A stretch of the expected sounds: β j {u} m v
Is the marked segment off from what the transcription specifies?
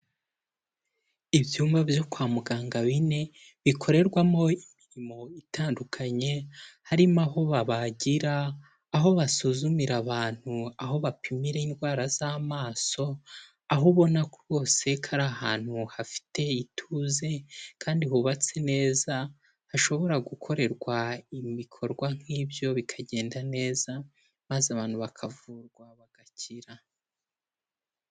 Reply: yes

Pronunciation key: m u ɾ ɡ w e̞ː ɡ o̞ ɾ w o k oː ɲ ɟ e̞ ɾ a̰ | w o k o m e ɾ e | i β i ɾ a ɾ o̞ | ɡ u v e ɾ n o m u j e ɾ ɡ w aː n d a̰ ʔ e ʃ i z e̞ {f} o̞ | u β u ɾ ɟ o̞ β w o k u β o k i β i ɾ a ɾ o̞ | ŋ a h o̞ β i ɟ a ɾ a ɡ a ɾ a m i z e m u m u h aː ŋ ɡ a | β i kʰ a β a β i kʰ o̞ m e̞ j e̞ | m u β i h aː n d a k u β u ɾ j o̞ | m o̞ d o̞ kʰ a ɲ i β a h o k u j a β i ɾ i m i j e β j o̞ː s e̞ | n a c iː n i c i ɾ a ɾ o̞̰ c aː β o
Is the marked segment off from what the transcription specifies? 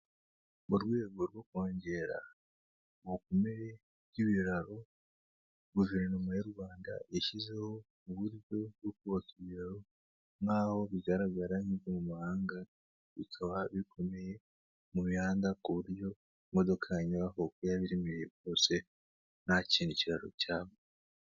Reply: yes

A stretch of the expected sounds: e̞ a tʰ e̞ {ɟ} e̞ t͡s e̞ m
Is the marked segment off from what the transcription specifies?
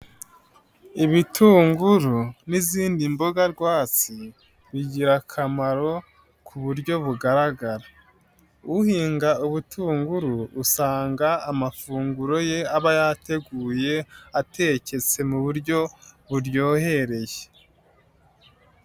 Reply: yes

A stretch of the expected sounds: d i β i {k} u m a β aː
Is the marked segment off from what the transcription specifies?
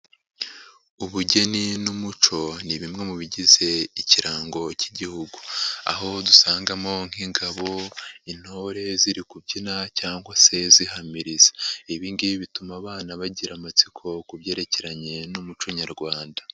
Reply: yes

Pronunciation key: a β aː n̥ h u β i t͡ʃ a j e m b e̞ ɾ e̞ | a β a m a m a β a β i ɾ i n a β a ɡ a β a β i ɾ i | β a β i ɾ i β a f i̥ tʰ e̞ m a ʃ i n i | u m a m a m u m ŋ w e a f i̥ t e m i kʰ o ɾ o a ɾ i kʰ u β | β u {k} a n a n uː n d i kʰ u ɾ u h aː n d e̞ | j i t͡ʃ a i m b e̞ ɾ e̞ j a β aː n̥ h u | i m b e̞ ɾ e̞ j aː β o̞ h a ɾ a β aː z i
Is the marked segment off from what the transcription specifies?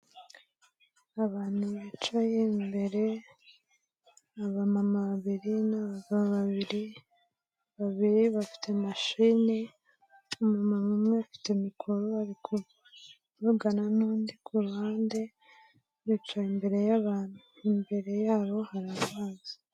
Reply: yes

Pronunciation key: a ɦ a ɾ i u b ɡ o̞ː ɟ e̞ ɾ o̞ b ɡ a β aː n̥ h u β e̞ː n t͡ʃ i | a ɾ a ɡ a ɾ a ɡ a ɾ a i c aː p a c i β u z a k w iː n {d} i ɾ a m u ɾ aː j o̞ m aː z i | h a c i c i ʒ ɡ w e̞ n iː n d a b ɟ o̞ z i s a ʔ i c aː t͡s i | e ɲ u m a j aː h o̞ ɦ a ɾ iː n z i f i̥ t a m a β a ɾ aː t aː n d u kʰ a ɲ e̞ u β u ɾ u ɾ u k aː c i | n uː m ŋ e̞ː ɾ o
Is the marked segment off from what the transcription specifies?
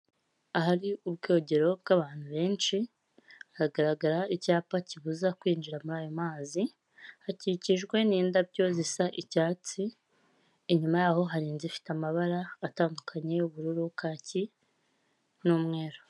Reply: yes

